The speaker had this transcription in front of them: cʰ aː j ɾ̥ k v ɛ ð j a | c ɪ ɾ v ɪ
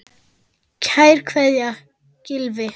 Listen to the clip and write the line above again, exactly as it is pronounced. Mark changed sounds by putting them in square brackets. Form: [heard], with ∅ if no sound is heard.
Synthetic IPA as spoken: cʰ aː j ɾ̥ [kʰ] v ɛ ð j a | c ɪ [l] v ɪ